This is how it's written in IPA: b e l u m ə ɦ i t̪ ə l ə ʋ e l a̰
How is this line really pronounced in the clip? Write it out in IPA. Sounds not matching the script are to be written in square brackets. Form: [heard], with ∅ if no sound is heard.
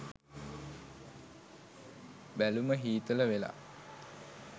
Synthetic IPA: b [æ] l u m ə ɦ [iː] t̪ ə l ə ʋ e l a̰